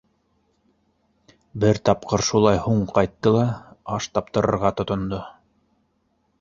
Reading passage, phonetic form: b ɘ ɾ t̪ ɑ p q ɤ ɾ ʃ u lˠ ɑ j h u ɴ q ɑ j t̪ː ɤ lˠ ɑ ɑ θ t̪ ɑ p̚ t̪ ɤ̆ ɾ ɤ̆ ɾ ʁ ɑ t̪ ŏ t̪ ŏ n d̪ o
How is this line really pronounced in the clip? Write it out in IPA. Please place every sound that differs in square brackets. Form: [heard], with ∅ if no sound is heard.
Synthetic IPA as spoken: b ɘ ɾ t̪ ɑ p q ɤ ɾ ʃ u lˠ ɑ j h u ɴ q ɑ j t̪ː ɤ lˠ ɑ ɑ [ʃ] t̪ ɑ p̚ t̪ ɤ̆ ɾ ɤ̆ ɾ ʁ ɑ t̪ ŏ t̪ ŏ n d̪ o